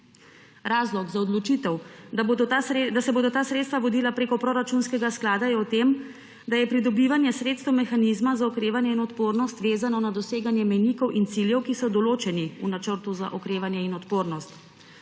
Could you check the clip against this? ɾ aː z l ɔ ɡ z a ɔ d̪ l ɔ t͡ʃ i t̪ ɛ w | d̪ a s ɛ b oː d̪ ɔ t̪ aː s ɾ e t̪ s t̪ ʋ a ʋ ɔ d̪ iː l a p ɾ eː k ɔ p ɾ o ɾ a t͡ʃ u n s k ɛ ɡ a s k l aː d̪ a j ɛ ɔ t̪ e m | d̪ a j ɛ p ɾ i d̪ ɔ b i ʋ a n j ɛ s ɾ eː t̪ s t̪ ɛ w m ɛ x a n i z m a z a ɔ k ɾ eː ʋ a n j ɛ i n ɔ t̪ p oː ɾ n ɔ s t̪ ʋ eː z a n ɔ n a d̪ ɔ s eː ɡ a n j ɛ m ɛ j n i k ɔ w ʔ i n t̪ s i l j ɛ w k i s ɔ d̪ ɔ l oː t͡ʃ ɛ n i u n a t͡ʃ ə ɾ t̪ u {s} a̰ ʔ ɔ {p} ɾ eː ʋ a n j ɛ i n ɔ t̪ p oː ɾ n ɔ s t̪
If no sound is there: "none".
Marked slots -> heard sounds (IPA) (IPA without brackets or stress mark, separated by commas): z, k